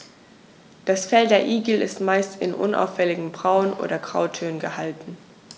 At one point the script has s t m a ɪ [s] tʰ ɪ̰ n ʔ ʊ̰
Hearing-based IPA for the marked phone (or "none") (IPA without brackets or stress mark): s